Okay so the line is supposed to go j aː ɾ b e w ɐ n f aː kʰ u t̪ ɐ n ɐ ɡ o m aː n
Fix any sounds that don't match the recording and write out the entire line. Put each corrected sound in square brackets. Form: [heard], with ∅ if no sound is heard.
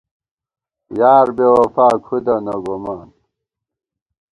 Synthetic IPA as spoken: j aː ɾ b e w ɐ [∅] f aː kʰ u [d̪] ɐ n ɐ ɡ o m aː n